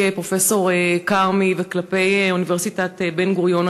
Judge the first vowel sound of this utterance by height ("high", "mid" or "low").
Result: mid